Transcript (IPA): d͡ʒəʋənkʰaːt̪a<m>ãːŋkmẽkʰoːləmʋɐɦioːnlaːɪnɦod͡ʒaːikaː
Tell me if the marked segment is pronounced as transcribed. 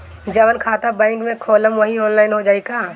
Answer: no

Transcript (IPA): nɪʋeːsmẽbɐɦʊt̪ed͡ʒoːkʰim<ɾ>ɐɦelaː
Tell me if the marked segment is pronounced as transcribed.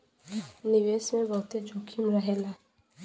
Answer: yes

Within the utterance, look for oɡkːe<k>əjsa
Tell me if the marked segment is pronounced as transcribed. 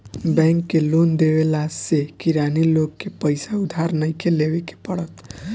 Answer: no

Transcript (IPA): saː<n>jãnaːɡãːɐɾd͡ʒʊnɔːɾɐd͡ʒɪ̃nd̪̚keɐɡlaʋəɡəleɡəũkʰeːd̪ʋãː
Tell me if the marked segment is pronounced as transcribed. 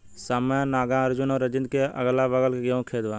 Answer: no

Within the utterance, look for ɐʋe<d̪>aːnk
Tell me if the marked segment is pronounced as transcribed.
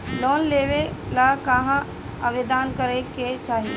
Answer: yes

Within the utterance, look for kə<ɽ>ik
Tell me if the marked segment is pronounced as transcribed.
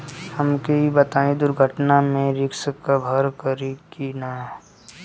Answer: no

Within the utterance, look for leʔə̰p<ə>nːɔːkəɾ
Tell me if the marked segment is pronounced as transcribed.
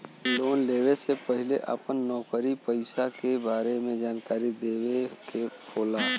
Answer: yes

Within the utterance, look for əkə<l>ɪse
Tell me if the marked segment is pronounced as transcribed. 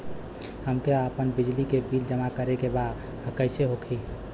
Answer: no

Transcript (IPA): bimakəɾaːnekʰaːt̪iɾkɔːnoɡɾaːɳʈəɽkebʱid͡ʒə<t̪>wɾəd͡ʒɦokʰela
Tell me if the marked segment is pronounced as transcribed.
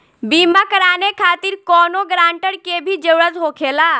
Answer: no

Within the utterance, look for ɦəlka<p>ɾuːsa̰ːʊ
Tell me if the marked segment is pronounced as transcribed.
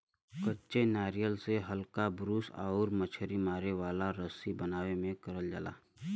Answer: no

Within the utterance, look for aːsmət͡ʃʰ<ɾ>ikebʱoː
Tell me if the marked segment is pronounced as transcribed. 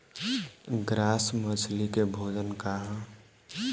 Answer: no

